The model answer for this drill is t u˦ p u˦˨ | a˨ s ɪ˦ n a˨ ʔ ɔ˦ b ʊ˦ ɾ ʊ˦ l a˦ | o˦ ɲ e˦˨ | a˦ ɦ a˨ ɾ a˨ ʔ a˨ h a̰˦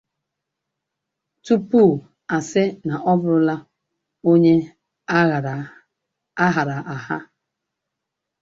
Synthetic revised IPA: t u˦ p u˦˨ | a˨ s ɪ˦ n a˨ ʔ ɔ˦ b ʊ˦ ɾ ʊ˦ l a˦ | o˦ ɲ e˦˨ | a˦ ɦ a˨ ɾ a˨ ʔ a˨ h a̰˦

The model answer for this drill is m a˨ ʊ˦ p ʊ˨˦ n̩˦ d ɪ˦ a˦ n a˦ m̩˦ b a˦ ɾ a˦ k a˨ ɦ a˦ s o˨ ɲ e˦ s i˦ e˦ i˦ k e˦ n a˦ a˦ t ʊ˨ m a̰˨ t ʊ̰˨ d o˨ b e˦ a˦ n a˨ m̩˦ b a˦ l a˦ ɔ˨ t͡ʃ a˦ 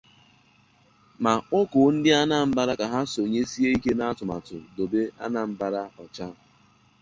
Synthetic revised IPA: m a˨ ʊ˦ k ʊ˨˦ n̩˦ d ɪ˦ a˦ n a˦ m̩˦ b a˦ ɾ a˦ k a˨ ɦ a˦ s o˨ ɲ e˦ s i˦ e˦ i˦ k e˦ n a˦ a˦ t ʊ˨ m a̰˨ t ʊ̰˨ d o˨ b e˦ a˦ n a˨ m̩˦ b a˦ ɾ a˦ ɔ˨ t͡ʃ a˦

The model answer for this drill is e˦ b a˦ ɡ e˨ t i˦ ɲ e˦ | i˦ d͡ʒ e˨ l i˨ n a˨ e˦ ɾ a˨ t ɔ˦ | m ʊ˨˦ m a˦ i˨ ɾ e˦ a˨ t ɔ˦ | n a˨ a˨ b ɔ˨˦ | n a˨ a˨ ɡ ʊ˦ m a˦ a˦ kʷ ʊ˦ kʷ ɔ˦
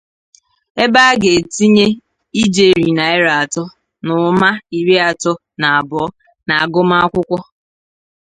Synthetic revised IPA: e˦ b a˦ ɡ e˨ t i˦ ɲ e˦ | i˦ d͡ʒ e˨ ɾ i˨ n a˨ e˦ ɾ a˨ t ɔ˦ | n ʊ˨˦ m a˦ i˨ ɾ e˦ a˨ t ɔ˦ | n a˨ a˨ b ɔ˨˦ | n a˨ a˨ ɡ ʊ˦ m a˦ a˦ kʷ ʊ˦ kʷ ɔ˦

